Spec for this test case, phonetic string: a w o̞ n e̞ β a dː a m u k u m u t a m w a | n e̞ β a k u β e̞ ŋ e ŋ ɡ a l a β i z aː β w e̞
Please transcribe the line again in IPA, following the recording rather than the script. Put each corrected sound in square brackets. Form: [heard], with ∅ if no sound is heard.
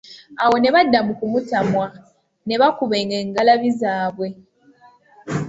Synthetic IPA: a w o̞ n e̞ β a dː a m u k u m u t a m w a | n e̞ β a k u β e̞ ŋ e ŋ ɡ a l a β i z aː β w e̞